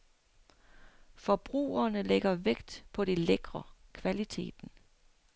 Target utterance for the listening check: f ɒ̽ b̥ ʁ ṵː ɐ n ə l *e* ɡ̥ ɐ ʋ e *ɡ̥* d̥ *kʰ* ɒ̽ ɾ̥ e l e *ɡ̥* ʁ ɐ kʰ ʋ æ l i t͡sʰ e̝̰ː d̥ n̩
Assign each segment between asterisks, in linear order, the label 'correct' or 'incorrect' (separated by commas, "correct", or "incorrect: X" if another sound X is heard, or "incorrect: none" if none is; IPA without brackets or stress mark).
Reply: correct, correct, incorrect: pʰ, correct